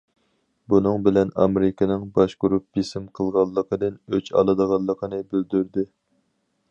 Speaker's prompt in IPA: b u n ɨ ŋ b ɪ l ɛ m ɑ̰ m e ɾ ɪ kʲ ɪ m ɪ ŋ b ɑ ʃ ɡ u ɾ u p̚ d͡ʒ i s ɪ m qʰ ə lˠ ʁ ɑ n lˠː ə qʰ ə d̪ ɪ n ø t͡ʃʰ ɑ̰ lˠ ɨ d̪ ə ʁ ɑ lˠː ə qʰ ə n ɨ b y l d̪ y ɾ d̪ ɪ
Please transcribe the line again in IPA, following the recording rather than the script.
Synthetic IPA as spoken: b u n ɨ ŋ b ɪ l ɛ n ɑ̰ m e ɾ ɪ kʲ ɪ n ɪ ŋ b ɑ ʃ ɡ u ɾ u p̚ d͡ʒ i s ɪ m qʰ ə lˠ ʁ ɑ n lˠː ə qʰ ə d̪ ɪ n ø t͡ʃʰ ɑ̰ lˠ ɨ d̪ ə ʁ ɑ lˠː ə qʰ ə n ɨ b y l d̪ y ɾ d̪ ɪ